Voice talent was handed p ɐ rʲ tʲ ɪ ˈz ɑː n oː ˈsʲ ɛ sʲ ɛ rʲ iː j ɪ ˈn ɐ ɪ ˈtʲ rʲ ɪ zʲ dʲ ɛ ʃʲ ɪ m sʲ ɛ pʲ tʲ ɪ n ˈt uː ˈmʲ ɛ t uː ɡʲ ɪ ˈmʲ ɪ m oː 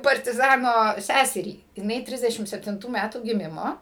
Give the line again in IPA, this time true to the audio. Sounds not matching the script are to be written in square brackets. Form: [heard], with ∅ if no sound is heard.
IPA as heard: p ɐ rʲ tʲ ɪ ˈz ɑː n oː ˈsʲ [æ] sʲ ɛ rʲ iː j ɪ ˈn ɐ ɪ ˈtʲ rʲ ɪ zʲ dʲ ɛ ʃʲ ɪ m sʲ ɛ pʲ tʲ ɪ n ˈt uː ˈmʲ [æ] t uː ɡʲ ɪ ˈmʲ ɪ m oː